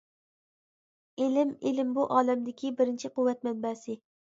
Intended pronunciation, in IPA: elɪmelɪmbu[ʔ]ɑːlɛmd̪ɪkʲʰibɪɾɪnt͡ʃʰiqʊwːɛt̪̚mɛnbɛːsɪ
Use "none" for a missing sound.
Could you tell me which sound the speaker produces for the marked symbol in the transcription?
ʔ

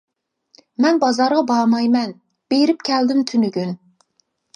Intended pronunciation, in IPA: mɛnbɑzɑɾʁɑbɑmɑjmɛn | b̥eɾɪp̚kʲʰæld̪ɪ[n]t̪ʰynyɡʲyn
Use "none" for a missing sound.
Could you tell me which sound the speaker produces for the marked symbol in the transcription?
m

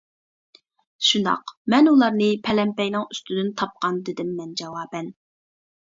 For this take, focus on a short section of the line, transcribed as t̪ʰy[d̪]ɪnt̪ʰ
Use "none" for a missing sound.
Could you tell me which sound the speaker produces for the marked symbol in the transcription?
d̪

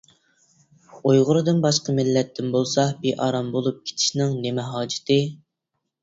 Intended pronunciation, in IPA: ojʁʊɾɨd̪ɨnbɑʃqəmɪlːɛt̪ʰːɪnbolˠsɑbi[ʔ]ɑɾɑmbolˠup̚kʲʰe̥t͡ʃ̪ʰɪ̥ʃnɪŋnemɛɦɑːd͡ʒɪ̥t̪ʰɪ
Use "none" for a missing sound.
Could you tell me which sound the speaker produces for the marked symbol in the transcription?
ʔ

